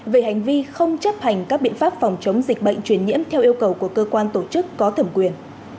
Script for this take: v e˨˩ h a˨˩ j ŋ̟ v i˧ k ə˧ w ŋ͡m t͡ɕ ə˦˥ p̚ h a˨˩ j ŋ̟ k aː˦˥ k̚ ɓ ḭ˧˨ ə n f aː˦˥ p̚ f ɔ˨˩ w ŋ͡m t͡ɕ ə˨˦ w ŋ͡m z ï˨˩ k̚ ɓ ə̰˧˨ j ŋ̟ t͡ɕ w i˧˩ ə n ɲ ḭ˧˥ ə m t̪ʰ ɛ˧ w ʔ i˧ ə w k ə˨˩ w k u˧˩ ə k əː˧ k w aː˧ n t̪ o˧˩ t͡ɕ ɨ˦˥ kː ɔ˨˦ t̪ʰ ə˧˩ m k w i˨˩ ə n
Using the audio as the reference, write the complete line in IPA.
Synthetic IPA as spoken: v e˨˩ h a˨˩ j ŋ̟ v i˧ x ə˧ w ŋ͡m t͡ɕ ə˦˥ p̚ h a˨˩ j ŋ̟ k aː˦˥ k̚ ɓ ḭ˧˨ ə n f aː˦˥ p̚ f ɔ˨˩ w ŋ͡m t͡ɕ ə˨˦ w ŋ͡m z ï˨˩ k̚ ɓ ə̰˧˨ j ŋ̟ t͡ɕ w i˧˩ ə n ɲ ḭ˧˥ ə m t̪ʰ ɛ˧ w ʔ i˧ ə w k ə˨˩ w k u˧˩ ə k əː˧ k w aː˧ n t̪ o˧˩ t͡ɕ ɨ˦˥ kː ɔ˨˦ t̪ʰ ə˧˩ m k w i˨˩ ə n

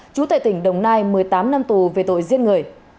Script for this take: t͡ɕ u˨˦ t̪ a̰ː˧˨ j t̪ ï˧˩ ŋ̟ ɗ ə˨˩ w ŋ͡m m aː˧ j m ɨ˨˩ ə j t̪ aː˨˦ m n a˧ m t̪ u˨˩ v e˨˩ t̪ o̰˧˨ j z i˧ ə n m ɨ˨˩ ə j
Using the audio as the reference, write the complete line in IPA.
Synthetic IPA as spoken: t͡ɕ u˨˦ t̪ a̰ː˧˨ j t̪ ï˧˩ ŋ̟ ɗ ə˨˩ w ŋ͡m n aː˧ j m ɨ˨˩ ə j t̪ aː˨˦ m n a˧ m t̪ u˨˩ v e˨˩ t̪ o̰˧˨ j z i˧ ə n ŋ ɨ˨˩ ə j

